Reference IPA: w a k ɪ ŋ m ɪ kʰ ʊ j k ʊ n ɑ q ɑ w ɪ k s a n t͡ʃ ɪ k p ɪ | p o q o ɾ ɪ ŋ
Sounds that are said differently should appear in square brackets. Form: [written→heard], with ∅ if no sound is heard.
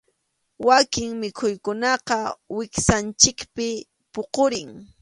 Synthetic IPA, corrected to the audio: w a k ɪ ŋ m ɪ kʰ ʊ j k ʊ n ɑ q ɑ w ɪ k s a n t͡ʃ ɪ k p ɪ | p o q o ɾ ɪ ŋ